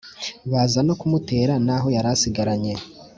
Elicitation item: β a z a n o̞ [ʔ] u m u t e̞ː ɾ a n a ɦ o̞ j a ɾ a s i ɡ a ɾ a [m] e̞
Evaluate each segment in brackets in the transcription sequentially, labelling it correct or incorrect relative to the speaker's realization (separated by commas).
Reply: incorrect, incorrect